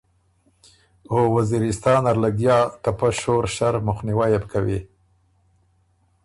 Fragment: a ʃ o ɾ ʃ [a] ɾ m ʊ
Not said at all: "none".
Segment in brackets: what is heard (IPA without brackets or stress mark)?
a